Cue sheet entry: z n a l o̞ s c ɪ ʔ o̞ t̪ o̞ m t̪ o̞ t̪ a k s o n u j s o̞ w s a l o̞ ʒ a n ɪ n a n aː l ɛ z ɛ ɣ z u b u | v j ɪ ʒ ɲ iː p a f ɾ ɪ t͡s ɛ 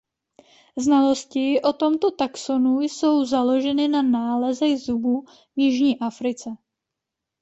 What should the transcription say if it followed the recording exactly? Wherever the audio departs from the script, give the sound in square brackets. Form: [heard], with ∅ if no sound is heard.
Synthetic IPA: z n a l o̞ s c ɪ ʔ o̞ t̪ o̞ m t̪ o̞ t̪ a k s o n u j s o̞ w [z] a l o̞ ʒ [ɛ] n ɪ n a n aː l ɛ z ɛ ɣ z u b u | v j ɪ ʒ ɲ iː [ʔ] a f ɾ ɪ t͡s ɛ